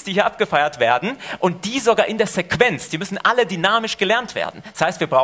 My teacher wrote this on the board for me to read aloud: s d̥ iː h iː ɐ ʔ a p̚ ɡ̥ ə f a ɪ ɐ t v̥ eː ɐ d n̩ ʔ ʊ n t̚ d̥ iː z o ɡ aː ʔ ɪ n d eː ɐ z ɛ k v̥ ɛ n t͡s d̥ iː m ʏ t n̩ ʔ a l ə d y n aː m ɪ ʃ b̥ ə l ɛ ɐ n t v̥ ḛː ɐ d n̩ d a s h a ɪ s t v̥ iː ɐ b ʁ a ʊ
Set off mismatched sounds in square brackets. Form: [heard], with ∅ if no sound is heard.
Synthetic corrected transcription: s d̥ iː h iː ɐ ʔ a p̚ ɡ̥ ə f a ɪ ɐ t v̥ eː ɐ d n̩ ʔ ʊ n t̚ d̥ iː z o ɡ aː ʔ ɪ n d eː ɐ z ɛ k v̥ ɛ n t͡s d̥ iː m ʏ [s] n̩ ʔ a l ə d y n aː m ɪ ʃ [ɡ̥] ə l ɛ ɐ n t v̥ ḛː ɐ d n̩ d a s h a ɪ s t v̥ iː ɐ b ʁ a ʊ

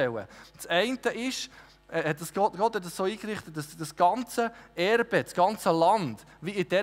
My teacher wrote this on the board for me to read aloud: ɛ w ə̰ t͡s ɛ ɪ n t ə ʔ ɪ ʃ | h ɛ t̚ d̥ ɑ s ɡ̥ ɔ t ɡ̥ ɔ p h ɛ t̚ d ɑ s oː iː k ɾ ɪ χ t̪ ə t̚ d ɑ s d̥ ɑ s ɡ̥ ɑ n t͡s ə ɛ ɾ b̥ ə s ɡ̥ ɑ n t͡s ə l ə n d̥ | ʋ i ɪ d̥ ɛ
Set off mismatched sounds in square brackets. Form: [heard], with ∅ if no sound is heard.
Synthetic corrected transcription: ɛ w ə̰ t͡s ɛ ɪ n t ə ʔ ɪ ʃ | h ɛ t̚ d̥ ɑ s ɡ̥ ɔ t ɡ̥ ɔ [t] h ɛ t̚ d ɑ s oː iː k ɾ ɪ χ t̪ ə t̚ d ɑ s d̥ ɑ s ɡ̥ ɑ n t͡s ə ɛ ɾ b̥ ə s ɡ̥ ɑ n t͡s ə l [ɑ] n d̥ | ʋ i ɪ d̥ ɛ

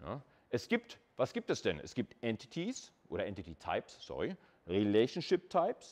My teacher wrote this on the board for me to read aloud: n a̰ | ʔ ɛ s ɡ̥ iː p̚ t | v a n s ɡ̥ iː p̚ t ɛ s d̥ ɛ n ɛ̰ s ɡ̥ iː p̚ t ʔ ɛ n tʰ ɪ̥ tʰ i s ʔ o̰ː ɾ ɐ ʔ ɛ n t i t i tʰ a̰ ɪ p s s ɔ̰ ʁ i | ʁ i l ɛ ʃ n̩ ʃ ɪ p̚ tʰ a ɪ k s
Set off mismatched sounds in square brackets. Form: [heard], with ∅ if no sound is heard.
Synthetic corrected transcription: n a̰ | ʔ ɛ s ɡ̥ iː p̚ t | v a [∅] s ɡ̥ iː p̚ t ɛ s d̥ ɛ n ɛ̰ s ɡ̥ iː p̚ t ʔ ɛ n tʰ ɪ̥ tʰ i s ʔ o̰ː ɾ ɐ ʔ ɛ n t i t i tʰ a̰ ɪ p s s ɔ̰ ʁ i | ʁ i l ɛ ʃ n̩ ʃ ɪ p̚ tʰ a ɪ [p] s

